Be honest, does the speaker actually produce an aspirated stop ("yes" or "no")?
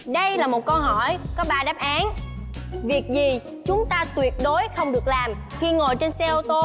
no